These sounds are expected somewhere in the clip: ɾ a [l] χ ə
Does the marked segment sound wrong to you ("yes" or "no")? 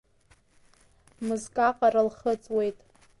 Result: no